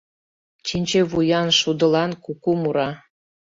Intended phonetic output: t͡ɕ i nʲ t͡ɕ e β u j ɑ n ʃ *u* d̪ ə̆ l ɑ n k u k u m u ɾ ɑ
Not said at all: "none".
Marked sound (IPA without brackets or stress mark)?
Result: u